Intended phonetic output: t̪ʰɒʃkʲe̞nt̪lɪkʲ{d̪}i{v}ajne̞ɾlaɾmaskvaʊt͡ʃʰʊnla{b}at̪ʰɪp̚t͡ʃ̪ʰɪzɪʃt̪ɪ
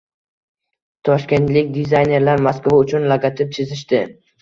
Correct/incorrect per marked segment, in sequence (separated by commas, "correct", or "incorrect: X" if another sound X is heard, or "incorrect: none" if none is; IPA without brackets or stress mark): correct, incorrect: z, incorrect: ɡ